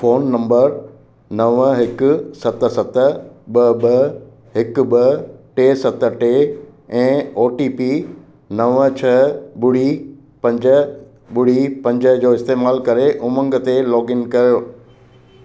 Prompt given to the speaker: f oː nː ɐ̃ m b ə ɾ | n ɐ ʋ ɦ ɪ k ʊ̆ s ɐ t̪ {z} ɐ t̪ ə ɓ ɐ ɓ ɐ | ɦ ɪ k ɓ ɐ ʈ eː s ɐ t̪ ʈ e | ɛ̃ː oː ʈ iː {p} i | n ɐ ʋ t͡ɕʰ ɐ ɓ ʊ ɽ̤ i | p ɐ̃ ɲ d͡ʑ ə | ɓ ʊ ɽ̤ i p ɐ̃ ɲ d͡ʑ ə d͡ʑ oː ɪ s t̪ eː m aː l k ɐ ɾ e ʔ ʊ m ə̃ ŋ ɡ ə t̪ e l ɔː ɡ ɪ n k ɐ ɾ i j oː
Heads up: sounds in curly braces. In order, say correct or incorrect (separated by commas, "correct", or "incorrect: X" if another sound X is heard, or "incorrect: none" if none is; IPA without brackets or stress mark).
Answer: incorrect: s, correct